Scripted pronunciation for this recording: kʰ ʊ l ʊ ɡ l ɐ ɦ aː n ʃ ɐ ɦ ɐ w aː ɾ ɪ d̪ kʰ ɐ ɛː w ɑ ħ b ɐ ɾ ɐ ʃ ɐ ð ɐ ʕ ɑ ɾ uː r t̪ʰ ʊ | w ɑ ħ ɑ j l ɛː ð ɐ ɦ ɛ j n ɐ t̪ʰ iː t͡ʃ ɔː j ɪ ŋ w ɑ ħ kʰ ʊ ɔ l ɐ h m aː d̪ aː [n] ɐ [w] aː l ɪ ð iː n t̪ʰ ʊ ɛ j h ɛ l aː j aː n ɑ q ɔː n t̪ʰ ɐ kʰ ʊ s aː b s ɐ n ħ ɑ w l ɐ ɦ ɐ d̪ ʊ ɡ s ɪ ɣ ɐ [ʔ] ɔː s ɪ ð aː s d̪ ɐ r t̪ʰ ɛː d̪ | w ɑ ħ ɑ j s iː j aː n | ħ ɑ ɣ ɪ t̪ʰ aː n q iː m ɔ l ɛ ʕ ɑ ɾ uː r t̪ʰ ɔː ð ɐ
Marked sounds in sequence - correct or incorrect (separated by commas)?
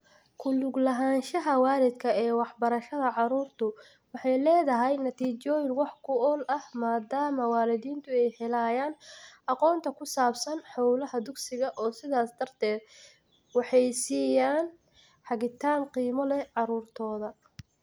incorrect, correct, correct